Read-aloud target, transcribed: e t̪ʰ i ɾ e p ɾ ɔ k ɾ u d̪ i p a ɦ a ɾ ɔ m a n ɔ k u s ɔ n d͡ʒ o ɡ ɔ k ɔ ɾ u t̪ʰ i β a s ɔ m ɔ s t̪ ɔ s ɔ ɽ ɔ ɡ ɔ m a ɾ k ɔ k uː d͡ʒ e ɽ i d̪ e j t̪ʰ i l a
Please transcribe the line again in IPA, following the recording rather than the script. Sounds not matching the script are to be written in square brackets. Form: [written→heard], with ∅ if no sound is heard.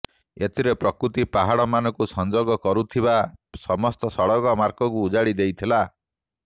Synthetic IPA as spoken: e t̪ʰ i ɾ e p ɾ ɔ k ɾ u [d̪→t̪] i p a ɦ a [ɾ→ɽ] ɔ m a n ɔ k u s ɔ n d͡ʒ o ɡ ɔ k ɔ ɾ u t̪ʰ i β a s ɔ m ɔ s t̪ ɔ s ɔ ɽ ɔ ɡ ɔ m a ɾ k ɔ k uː d͡ʒ [e→a] ɽ i d̪ e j t̪ʰ i l a